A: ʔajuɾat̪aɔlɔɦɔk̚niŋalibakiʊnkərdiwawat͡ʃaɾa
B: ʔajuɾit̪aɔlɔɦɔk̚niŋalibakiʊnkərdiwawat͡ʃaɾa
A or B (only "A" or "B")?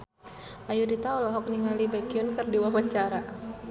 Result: B